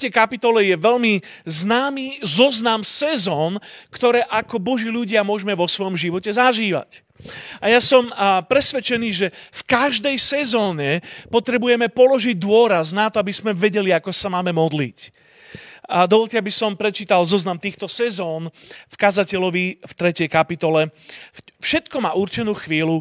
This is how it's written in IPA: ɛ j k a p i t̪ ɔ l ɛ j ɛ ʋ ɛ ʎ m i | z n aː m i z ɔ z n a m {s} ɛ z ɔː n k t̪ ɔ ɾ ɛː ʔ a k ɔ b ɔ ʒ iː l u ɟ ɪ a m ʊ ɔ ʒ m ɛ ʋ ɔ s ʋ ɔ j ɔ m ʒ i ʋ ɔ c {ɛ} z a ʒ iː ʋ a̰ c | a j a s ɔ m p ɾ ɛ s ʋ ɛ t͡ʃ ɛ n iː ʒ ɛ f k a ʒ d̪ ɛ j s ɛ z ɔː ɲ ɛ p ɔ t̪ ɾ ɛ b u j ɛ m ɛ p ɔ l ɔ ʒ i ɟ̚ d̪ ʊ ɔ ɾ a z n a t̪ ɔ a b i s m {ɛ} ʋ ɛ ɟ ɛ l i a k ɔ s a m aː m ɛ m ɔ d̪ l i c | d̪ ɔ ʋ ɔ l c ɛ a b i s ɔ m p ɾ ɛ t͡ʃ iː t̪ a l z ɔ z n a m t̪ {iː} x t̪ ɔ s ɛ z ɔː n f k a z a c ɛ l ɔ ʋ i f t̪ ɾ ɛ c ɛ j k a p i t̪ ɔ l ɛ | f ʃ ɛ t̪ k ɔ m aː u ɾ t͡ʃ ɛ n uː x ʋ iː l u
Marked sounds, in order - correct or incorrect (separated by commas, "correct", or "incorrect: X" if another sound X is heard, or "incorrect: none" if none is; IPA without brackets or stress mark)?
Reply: correct, correct, correct, correct